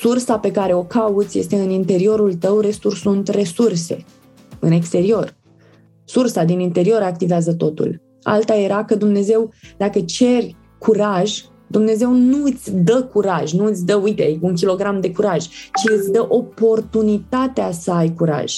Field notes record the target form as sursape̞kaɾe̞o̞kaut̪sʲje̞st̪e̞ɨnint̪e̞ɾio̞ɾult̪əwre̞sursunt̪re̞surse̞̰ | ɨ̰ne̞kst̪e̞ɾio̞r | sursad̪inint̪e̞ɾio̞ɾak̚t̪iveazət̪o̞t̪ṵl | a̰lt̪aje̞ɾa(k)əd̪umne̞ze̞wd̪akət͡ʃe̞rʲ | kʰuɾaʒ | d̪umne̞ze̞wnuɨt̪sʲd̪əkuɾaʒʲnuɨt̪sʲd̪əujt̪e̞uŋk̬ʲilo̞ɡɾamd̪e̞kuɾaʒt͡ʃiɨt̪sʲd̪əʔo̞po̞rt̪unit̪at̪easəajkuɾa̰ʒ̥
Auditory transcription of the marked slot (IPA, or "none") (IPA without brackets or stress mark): k